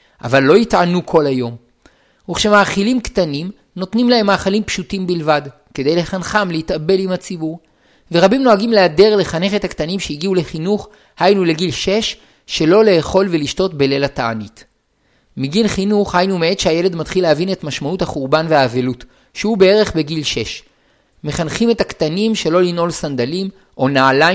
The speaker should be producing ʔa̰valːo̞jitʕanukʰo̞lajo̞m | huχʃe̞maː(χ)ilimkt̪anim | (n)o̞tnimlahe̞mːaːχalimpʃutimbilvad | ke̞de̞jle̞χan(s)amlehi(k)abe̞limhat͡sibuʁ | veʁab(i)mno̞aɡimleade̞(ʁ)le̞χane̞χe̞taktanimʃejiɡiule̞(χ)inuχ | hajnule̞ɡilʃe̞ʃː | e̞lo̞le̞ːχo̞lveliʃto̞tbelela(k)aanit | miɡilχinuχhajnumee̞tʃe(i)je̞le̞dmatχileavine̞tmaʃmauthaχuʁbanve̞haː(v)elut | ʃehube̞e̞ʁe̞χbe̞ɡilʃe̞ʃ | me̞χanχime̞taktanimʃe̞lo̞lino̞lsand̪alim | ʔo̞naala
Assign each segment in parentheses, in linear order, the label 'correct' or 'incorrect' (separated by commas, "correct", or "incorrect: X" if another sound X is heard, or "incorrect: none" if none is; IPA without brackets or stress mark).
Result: correct, correct, incorrect: χ, incorrect: t, correct, correct, correct, incorrect: t, incorrect: a, correct